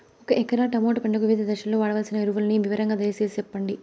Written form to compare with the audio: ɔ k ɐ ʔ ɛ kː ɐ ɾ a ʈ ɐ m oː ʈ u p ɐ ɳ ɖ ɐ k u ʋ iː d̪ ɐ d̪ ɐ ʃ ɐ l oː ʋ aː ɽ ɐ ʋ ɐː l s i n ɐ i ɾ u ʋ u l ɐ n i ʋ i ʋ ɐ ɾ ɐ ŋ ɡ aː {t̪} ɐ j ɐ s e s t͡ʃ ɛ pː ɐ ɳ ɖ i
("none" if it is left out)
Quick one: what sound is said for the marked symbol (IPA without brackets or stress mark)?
d̪